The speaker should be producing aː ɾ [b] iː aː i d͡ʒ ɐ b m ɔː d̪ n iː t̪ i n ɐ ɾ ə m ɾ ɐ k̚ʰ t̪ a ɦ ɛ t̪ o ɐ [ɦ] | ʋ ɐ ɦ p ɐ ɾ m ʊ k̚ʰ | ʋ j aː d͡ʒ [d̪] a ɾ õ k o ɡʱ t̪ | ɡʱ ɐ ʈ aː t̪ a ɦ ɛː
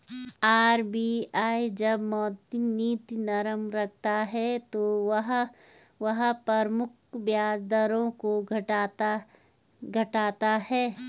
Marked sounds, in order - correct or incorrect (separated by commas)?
correct, correct, correct